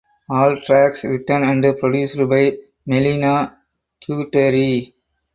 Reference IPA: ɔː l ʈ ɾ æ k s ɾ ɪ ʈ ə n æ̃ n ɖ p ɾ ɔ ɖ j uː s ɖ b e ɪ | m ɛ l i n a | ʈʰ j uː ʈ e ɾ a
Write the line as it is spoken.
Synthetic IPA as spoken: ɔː l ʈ ɾ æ k s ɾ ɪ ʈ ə n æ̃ ɳ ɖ p ɾ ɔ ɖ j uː s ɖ b a ɪ | m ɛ l i n a | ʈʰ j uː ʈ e ɾ i